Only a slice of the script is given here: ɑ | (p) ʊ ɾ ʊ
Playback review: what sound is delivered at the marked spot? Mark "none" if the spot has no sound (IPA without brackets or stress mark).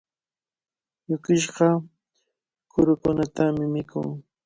k